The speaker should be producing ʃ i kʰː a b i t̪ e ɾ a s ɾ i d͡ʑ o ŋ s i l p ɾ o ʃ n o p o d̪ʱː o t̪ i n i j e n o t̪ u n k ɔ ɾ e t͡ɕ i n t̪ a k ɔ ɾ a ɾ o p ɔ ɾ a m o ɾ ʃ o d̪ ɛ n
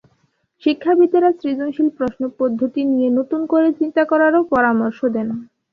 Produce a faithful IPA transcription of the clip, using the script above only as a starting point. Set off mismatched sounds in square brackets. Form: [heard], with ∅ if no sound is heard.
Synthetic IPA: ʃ i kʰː a b i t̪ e ɾ a s ɾ i d͡ʑ o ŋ [ʃ] i l p ɾ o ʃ n o p o d̪ʱː o t̪ i n i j e n o t̪ u n k [o] ɾ e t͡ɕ i n t̪ a k ɔ ɾ a ɾ o p ɔ ɾ a m o ɾ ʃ o d̪ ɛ n